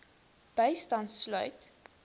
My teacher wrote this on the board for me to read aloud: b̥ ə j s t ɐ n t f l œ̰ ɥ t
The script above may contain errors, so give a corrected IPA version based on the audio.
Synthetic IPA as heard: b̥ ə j s t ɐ n t s l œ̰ ɥ t